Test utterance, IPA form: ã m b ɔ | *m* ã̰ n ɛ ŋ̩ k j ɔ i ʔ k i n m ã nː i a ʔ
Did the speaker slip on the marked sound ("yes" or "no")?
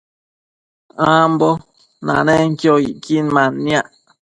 yes